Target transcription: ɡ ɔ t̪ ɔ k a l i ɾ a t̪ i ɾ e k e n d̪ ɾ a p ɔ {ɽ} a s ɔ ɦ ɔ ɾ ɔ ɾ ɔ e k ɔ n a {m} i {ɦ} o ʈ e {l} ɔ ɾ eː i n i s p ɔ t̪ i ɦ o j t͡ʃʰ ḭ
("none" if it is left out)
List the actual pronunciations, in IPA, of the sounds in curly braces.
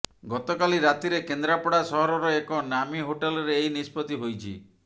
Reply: ɽ, m, ɦ, l

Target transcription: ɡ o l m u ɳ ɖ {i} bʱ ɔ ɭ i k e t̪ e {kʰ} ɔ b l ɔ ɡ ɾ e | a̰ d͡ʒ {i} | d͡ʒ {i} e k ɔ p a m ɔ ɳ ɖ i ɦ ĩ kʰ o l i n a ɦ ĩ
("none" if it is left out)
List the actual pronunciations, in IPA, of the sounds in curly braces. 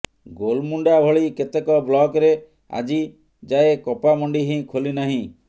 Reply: a, k, i, a

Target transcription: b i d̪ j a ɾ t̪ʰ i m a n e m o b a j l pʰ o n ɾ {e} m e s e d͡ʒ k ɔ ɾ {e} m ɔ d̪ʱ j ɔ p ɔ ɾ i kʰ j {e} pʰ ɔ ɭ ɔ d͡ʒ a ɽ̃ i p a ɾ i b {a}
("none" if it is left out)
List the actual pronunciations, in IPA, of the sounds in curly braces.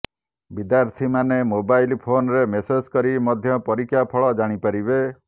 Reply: e, i, a, e

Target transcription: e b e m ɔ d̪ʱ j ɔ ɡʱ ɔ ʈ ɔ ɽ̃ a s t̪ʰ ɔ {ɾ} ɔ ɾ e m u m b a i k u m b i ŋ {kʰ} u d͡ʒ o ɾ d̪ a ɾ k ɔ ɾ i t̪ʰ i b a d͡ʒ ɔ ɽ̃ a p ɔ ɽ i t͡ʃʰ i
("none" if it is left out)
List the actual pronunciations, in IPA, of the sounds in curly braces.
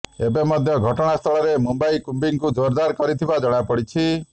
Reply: ɭ, k

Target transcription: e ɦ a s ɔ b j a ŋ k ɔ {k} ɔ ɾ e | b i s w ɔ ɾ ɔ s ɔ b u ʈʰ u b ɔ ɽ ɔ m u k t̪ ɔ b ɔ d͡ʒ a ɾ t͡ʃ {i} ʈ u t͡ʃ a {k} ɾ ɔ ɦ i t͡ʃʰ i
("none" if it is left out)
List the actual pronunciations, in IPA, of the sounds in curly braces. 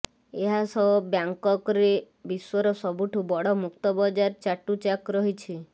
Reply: k, a, k

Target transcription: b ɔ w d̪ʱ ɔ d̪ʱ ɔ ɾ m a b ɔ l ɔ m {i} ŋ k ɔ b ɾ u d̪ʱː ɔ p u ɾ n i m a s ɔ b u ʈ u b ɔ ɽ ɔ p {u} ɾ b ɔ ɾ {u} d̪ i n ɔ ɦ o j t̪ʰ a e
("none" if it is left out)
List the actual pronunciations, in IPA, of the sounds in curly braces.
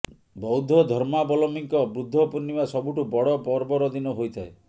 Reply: i, ɔ, ɔ

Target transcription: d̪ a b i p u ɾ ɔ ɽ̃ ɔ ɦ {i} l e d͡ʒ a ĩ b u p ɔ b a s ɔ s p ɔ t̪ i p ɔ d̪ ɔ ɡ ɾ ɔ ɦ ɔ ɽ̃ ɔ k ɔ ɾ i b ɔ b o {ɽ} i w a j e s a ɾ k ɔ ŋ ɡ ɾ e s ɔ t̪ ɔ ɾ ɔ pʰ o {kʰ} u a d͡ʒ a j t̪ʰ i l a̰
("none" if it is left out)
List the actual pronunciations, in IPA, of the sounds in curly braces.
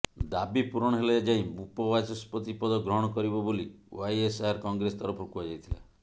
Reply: e, l, k

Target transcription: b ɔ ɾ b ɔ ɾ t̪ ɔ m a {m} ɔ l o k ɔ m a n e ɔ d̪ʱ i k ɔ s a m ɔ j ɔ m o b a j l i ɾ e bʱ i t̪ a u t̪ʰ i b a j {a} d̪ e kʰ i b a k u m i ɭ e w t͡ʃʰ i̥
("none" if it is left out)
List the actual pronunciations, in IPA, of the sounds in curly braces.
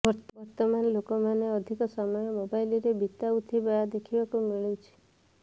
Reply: n, a

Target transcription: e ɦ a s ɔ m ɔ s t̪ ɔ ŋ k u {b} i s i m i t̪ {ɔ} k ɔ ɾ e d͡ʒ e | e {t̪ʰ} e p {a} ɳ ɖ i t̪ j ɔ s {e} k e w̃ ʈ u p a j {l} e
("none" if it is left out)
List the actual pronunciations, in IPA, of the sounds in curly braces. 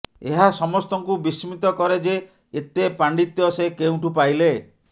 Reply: b, ɔ, t̪, a, e, l

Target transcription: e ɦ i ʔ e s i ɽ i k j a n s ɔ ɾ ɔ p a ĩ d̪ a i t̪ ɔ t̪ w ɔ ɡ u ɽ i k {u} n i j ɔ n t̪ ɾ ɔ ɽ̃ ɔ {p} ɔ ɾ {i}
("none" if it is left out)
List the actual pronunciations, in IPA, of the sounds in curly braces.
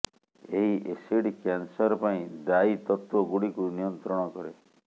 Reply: u, k, e

